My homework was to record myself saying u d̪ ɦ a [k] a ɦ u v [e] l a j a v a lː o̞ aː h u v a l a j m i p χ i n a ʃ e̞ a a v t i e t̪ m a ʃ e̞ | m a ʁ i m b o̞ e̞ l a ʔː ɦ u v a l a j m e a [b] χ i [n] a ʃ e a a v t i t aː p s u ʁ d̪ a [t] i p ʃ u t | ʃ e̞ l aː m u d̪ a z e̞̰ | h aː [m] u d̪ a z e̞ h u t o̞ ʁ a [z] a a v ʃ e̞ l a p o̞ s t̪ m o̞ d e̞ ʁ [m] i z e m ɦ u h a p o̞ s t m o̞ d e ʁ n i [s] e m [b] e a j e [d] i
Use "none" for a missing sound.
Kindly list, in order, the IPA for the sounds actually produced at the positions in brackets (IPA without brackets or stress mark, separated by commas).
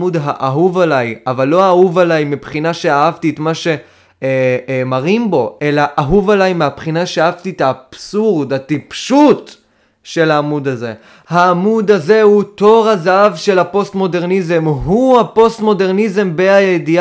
ʔ, a, p, n, t, m, z, n, z, b, d